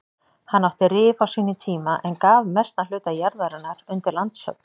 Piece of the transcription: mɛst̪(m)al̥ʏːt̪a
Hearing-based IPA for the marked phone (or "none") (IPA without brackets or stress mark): n